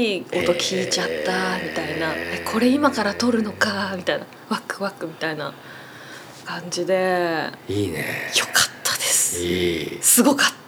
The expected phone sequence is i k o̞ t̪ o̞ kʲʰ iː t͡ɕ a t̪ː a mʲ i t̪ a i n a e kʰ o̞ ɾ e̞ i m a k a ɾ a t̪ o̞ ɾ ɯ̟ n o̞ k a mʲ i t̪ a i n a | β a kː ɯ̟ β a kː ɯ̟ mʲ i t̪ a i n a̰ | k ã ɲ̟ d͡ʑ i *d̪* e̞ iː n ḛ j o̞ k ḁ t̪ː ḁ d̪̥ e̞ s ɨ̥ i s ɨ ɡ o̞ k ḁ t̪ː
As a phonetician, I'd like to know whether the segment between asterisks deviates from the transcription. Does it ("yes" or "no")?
no